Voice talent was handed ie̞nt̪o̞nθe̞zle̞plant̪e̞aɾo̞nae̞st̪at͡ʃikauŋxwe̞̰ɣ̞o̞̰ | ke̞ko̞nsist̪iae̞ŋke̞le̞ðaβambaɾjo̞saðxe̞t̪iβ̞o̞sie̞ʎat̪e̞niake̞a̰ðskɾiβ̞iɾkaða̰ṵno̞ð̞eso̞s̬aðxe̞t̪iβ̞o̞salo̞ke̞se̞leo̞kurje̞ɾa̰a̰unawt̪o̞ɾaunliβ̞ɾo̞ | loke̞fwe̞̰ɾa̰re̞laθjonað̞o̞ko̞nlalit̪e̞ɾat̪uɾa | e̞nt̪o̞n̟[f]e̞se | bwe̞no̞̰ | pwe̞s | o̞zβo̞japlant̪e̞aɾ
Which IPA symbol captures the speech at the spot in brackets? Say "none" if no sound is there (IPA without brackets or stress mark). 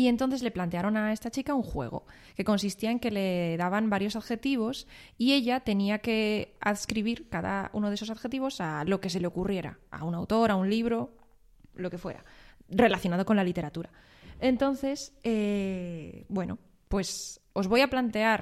θ